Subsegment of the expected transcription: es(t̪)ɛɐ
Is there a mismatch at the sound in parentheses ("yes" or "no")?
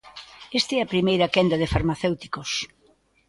no